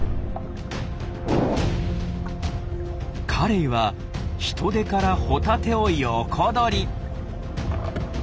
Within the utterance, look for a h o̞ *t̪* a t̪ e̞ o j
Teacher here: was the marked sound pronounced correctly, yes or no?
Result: yes